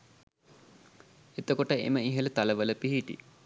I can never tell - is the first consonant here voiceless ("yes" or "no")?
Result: yes